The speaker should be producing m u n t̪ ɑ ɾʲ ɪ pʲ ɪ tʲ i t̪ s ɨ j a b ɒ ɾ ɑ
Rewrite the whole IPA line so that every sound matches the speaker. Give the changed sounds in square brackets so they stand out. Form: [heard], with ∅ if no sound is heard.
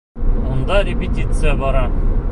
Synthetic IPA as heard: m u n [d̪] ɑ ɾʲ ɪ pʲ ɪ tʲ i t̪ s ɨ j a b ɒ ɾ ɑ